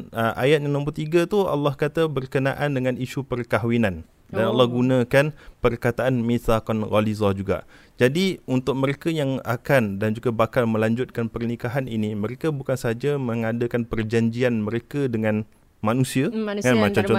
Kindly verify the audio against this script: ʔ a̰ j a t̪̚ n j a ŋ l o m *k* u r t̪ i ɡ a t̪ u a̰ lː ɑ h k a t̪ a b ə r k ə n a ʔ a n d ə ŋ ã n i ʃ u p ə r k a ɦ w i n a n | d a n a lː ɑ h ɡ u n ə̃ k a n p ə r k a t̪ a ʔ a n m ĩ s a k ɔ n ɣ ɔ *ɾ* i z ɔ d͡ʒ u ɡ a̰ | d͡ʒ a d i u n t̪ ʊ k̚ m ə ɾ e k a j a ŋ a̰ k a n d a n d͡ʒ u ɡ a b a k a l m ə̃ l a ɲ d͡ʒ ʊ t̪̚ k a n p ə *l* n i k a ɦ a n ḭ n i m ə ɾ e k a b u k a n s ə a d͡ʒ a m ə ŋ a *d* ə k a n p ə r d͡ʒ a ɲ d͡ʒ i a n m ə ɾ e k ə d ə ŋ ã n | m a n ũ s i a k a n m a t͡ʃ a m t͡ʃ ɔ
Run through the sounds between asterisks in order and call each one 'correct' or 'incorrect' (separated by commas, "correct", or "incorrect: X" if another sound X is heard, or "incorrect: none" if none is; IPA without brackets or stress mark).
incorrect: p, incorrect: l, incorrect: r, correct